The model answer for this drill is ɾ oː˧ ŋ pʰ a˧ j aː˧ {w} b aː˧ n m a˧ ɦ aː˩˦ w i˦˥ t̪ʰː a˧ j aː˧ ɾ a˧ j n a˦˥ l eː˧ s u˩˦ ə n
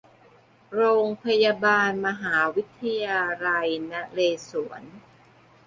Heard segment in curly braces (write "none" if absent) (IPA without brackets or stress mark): none